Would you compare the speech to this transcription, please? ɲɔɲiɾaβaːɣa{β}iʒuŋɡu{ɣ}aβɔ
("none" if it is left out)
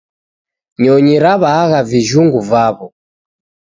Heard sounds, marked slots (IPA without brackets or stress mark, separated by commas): v, v